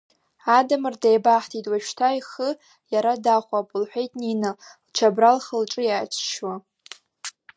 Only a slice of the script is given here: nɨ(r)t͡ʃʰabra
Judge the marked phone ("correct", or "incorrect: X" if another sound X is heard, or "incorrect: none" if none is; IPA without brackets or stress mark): incorrect: l